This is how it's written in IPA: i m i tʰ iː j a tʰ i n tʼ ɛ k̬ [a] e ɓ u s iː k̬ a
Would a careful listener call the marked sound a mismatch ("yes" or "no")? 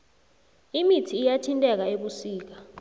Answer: no